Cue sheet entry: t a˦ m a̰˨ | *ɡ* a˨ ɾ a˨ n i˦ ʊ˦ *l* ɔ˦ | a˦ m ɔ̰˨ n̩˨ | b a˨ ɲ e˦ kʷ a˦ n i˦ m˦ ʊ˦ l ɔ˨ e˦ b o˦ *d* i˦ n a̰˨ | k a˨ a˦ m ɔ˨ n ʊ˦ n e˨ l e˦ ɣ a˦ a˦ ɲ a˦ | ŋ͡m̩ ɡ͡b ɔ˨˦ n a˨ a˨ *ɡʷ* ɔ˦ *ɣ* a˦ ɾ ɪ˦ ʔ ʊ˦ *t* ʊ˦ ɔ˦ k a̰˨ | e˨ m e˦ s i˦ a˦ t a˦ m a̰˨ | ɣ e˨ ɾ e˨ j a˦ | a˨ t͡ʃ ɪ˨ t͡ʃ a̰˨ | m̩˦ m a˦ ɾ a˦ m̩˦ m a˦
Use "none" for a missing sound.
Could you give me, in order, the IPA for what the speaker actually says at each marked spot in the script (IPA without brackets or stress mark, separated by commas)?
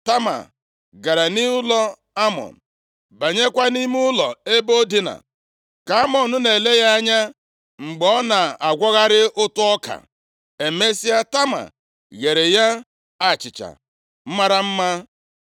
ɡ, l, d, ɡʷ, ɣ, t